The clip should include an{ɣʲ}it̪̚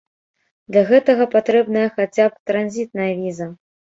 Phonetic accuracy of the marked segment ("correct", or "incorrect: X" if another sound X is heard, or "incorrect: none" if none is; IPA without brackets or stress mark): incorrect: zʲ